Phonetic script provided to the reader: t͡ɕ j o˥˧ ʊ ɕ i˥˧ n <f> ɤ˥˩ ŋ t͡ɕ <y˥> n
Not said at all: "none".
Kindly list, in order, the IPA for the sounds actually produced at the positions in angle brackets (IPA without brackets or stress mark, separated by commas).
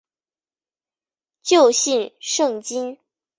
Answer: ʂ, i˥